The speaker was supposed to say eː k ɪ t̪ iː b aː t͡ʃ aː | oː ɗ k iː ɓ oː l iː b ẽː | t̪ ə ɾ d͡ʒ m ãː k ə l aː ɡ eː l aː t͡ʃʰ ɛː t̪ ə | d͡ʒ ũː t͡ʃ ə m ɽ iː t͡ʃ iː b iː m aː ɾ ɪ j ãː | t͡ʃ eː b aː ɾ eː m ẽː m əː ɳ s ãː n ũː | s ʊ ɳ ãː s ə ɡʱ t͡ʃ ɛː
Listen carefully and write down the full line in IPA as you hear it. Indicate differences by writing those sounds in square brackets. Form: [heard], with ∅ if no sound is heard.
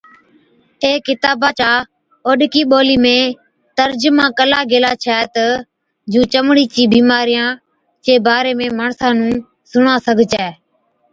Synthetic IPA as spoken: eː k ɪ t̪ [aː] b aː t͡ʃ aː | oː ɗ k iː ɓ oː l iː [m] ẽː | t̪ ə ɾ d͡ʒ m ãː k ə l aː ɡ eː l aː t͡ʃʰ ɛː t̪ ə | d͡ʒ ũː t͡ʃ ə m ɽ iː t͡ʃ iː b iː m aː ɾ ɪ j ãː | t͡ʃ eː b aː ɾ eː m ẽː m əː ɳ s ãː n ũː | s ʊ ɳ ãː s ə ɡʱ t͡ʃ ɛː